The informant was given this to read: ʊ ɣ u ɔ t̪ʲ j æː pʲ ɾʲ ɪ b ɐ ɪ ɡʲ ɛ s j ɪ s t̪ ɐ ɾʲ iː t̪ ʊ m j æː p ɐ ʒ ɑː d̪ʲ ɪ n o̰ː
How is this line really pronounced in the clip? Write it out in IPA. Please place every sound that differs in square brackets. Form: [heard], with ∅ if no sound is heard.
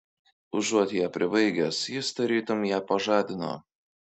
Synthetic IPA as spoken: ʊ [ʒ] u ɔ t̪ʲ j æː pʲ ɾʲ ɪ b ɐ ɪ ɡʲ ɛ s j ɪ s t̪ ɐ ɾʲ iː t̪ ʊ m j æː p ɐ ʒ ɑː d̪ʲ ɪ n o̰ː

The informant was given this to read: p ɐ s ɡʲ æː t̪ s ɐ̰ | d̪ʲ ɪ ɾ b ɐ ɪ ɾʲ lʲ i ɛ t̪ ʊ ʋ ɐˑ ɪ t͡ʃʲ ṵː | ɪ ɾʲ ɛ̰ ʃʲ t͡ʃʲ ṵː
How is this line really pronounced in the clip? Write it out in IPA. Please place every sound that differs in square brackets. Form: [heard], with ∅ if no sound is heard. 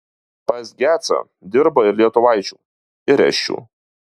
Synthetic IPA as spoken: p ɐ s ɡʲ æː t̪ s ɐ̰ | d̪ʲ ɪ ɾ b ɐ ɪ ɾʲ lʲ i ɛ t̪ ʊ ʋ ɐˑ ɪ t͡ʃʲ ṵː | ɪ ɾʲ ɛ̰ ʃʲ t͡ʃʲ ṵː

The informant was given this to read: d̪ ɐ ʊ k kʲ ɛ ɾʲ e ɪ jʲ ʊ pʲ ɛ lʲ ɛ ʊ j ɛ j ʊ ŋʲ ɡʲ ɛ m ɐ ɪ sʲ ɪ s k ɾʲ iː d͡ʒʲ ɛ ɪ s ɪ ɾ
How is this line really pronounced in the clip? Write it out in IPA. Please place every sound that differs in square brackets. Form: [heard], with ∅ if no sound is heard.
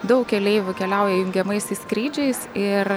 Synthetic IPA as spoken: d̪ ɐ ʊ k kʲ ɛ [lʲ] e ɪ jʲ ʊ [kʲ] ɛ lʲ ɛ ʊ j ɛ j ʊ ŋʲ ɡʲ ɛ m ɐ ɪ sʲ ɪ s k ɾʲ iː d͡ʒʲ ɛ ɪ s ɪ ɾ

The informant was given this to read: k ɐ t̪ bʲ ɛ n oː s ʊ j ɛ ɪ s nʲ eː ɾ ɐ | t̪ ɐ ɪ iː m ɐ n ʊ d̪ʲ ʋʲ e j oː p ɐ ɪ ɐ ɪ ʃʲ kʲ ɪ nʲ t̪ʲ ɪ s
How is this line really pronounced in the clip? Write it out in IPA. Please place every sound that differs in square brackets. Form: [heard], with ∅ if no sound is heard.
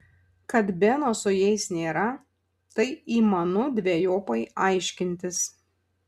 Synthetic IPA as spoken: k ɐ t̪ bʲ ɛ n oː s ʊ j ɛ ɪ s nʲ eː ɾ ɐ | t̪ ɐ ɪ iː m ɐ n ʊ d̪ʲ ʋʲ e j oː p ɐ ɪ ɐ ɪ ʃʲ kʲ ɪ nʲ t̪ʲ ɪ s

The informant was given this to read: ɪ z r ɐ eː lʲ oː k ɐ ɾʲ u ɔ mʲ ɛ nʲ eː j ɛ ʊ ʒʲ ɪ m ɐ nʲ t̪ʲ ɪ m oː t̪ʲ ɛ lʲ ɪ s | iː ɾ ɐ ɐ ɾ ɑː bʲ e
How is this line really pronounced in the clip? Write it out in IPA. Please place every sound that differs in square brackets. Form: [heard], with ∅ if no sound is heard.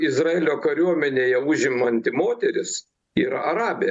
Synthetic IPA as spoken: ɪ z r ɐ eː lʲ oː k ɐ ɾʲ u ɔ mʲ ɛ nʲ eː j ɛ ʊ ʒʲ ɪ m ɐ nʲ t̪ʲ ɪ m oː t̪ʲ ɛ [ɾʲ] ɪ s | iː ɾ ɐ ɐ ɾ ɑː bʲ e

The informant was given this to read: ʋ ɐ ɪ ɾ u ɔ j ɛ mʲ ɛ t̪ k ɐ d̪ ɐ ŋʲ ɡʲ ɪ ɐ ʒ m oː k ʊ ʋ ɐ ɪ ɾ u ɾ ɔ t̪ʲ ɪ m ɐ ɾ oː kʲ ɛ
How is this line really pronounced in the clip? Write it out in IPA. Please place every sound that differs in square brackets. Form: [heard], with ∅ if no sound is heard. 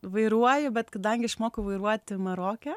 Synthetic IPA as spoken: ʋ ɐ ɪ ɾ u ɔ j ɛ [bʲ] ɛ t̪ k ɐ d̪ ɐ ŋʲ ɡʲ ɪ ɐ [ʃ] m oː k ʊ ʋ ɐ ɪ ɾ u [∅] ɔ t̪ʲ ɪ m ɐ ɾ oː kʲ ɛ

